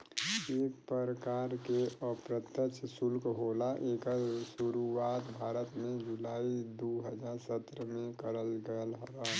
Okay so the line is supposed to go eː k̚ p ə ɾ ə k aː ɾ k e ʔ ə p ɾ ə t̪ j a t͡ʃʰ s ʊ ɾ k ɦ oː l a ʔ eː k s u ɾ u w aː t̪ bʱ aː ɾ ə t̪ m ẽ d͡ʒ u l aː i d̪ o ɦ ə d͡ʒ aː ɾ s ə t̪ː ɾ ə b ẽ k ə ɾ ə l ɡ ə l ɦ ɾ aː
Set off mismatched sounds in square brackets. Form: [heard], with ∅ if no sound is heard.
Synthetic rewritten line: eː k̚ p ə ɾ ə k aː ɾ k e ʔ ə p ɾ ə t̪ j [ə] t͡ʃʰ s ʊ [l] k ɦ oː l a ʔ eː k s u ɾ u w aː t̪ bʱ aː ɾ ə t̪ m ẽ d͡ʒ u l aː i d̪ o ɦ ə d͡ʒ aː ɾ s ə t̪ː ɾ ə [m] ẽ k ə ɾ ə l ɡ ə l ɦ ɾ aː